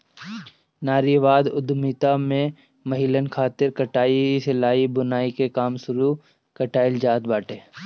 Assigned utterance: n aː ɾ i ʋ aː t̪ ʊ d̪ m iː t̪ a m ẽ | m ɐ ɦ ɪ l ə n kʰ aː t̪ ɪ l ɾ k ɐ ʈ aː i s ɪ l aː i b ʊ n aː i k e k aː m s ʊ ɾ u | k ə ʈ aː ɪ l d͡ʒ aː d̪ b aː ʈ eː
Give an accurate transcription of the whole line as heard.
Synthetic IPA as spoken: n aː ɾ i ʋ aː d̪ ʊ d̪ m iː t̪ a m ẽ | m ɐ ɦ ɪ l ə n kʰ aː t̪ ɪ ɾ k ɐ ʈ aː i s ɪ l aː i b ʊ n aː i k e k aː m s ʊ ɾ u | k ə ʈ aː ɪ l d͡ʒ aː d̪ b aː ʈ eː